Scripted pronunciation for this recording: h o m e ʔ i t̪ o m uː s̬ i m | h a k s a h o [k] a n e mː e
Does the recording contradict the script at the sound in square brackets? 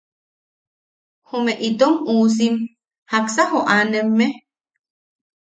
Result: yes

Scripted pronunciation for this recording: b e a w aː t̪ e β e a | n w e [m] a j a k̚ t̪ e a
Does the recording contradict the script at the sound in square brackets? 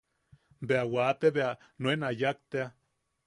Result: yes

